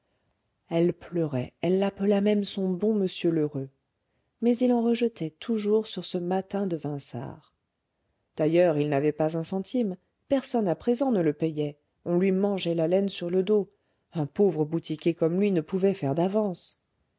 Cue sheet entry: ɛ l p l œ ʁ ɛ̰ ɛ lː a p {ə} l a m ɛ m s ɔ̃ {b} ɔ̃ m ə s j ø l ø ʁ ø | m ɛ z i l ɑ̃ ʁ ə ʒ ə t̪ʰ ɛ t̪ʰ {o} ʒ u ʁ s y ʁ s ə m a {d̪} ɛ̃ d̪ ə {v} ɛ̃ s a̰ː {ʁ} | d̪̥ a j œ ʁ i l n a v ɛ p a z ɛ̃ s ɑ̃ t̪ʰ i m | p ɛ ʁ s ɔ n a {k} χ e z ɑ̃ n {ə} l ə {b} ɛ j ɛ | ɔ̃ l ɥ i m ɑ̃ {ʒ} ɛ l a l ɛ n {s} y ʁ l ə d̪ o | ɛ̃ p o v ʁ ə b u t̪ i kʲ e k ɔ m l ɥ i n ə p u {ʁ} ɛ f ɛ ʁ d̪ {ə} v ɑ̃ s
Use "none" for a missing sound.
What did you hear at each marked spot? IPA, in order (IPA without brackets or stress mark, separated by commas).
ə, b, u, t̪, v, ʁ, p, ə, p, ʒ, s, v, a